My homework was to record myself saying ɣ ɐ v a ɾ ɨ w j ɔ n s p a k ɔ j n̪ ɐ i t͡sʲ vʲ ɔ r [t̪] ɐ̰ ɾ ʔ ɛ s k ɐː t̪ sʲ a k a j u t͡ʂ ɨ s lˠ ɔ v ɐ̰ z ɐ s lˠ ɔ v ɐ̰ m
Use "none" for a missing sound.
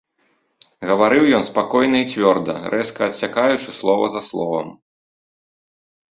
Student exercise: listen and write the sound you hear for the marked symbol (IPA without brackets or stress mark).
d̪